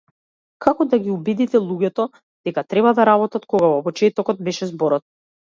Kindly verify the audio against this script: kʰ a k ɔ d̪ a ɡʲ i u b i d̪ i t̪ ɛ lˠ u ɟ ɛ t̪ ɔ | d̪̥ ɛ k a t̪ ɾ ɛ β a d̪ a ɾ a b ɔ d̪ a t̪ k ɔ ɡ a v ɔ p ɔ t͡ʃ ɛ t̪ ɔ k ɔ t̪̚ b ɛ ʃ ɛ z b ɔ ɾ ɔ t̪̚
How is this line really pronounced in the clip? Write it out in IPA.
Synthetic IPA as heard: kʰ a k ɔ d̪ a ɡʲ i u b i d̪ i t̪ ɛ lˠ u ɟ ɛ t̪ ɔ | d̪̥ ɛ k a t̪ ɾ ɛ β a d̪ a ɾ a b ɔ t̪ a t̪ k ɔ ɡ a v ɔ p ɔ t͡ʃ ɛ t̪ ɔ k ɔ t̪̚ b ɛ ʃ ɛ z b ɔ ɾ ɔ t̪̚